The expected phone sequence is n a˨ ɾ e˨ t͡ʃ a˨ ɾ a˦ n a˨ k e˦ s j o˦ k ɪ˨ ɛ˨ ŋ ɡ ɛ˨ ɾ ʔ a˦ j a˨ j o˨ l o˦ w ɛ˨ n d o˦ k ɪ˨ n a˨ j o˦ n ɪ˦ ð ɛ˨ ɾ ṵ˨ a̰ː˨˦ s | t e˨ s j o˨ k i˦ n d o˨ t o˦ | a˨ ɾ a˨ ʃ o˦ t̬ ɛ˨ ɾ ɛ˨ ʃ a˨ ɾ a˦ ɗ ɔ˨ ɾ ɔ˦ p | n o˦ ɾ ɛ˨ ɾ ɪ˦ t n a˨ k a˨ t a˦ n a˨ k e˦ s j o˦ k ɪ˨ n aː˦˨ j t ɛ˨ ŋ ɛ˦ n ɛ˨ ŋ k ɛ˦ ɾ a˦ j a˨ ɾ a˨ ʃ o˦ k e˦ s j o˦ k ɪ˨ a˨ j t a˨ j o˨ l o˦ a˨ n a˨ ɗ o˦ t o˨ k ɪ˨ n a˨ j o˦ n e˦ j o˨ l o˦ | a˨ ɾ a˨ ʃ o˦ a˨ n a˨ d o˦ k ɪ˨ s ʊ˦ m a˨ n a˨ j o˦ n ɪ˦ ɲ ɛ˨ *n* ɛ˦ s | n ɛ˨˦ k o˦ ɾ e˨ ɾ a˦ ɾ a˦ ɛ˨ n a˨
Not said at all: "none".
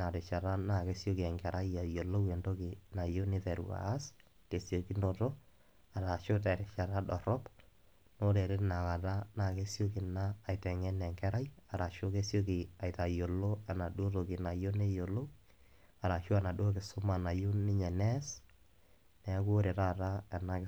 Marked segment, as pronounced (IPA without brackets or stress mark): n